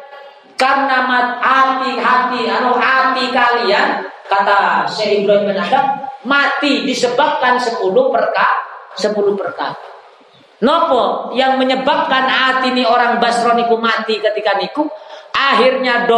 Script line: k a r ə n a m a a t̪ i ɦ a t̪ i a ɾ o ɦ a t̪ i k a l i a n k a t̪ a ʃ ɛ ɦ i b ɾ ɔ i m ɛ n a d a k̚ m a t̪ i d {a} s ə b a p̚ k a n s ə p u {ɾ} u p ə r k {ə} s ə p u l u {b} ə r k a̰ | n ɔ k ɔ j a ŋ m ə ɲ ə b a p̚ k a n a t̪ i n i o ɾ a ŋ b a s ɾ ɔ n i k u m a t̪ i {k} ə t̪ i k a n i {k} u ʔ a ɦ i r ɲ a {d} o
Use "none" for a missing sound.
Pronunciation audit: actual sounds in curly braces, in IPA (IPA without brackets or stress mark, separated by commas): i, l, a, p, k, k, d